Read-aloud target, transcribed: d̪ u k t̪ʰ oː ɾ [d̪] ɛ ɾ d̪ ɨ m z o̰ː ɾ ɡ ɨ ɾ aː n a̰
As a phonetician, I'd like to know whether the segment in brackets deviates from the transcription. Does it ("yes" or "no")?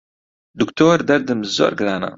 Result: no